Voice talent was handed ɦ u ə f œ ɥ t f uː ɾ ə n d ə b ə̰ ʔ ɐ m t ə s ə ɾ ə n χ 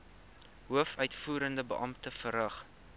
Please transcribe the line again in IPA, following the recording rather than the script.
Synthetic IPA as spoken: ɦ u ə f œ ɥ t f uː ɾ ə n d ə b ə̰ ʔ ɐ m t ə f ə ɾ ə χ

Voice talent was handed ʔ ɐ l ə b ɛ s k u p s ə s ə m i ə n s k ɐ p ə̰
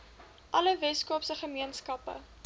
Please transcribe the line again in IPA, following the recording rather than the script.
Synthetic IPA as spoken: ʔ ɐ l ə v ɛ s k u p s ə χ ə m i ə n s k ɐ p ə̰

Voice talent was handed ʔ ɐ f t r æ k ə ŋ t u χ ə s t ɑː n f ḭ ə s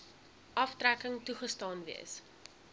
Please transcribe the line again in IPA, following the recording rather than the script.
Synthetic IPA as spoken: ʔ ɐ f t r æ k ə ŋ t u χ ə s t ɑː n v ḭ ə s

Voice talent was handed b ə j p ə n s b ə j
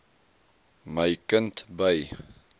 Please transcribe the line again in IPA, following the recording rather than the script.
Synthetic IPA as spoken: m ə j k ə n t b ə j

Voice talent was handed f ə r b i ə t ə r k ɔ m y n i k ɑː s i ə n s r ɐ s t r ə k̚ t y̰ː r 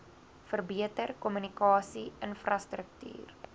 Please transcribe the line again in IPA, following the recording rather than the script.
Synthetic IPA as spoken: f ə r b i ə t ə r k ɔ m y n i k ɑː s i ə n f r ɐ s t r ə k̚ t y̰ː r

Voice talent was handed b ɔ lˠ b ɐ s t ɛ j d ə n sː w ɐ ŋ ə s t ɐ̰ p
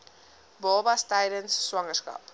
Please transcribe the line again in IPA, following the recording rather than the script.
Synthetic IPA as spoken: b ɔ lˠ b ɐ s t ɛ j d ə n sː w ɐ ŋ ə s k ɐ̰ p

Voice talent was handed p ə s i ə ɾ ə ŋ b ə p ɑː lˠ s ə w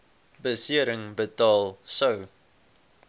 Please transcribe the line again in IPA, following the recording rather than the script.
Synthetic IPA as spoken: b ə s i ə ɾ ə ŋ b ə t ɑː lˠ s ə w

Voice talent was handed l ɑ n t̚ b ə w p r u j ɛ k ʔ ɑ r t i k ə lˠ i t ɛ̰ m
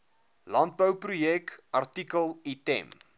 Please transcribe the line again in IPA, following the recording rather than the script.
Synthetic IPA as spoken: l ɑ n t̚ b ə w p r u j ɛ k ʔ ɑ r t i k ə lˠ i t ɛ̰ m

